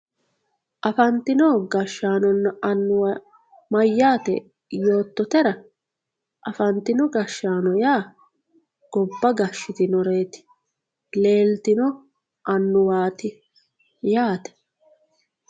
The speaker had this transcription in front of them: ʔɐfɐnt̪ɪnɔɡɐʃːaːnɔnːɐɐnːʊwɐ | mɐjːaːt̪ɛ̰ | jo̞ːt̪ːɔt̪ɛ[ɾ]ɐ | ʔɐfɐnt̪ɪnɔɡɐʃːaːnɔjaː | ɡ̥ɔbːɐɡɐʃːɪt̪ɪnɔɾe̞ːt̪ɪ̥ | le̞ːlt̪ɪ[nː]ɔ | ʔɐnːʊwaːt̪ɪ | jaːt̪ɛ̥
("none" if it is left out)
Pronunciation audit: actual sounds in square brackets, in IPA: ɾ, n

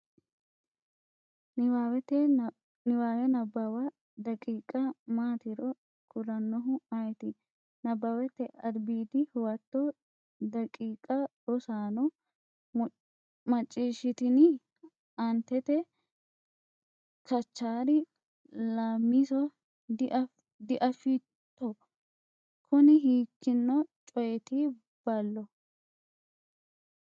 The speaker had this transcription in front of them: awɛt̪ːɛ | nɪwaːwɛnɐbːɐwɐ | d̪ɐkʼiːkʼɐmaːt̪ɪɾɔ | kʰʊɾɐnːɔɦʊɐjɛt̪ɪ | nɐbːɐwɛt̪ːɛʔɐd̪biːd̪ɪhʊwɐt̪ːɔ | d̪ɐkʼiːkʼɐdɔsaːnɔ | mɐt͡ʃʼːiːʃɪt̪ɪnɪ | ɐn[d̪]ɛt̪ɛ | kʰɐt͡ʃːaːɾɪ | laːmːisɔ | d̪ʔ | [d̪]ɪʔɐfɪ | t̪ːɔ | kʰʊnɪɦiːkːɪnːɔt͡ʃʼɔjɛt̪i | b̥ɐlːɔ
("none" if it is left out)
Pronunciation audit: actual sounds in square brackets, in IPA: t̪, d̪

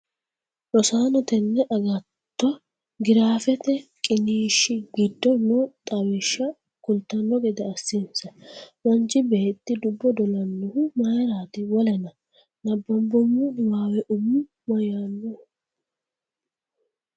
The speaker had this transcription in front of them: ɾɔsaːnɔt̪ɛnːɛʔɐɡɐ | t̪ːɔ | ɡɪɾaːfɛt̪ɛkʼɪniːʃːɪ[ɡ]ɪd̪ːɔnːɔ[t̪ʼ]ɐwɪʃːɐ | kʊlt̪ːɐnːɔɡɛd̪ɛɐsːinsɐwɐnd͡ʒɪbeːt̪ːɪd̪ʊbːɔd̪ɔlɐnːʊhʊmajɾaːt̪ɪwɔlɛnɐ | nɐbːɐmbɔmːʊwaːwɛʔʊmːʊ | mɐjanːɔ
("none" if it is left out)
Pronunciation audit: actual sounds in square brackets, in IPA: ɡ, t̪ʼ

